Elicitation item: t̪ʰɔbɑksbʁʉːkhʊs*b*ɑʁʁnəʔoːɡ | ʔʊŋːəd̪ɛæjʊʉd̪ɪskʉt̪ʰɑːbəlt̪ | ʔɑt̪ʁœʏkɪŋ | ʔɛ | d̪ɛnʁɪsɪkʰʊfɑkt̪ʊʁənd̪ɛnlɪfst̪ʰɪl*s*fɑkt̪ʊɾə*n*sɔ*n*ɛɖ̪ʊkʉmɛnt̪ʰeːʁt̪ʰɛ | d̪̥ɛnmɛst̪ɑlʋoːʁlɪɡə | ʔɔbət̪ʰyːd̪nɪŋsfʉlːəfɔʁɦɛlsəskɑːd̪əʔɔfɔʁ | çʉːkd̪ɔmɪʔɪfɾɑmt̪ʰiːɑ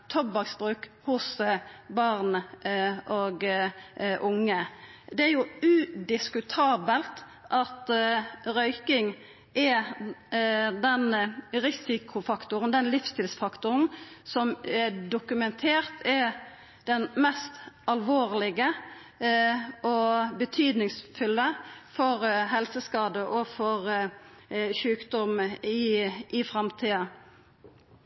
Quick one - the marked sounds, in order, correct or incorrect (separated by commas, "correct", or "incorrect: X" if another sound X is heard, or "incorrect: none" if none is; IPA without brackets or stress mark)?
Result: correct, correct, correct, incorrect: m